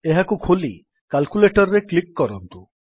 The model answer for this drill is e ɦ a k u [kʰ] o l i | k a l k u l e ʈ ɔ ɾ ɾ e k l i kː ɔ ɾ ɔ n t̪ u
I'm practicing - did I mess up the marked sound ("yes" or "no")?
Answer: no